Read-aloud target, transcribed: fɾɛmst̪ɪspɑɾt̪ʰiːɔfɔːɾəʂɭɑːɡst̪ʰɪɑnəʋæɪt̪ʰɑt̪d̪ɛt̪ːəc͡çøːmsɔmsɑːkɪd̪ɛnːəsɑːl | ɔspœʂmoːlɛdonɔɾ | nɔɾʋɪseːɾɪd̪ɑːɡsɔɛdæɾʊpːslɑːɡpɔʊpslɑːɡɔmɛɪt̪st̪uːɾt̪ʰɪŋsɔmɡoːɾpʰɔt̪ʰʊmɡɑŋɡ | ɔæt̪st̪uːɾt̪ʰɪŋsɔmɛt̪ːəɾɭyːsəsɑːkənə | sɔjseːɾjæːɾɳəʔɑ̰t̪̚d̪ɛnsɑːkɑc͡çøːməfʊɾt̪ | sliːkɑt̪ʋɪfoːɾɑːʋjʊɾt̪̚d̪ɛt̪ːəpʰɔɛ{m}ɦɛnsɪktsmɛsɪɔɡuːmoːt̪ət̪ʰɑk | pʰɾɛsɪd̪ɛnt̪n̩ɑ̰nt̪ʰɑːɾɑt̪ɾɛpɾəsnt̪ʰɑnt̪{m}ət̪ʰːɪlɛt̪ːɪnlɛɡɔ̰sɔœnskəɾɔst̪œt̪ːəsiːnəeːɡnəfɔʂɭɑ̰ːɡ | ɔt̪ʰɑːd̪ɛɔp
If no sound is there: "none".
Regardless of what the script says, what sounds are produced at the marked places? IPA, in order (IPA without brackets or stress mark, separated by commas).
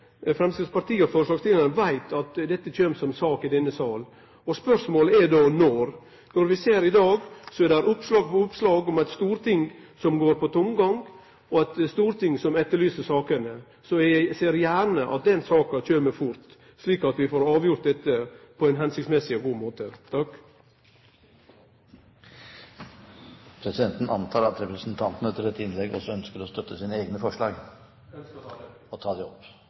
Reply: n, n